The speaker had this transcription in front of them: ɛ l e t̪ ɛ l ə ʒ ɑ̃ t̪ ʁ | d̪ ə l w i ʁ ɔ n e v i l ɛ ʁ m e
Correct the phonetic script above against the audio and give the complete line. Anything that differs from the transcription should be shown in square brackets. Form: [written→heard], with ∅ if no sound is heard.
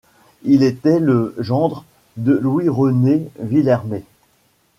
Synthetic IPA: [ɛ→i] l e t̪ ɛ l ə ʒ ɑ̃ [t̪→d̪] ʁ | d̪ ə l w i ʁ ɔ n e v i l ɛ ʁ m e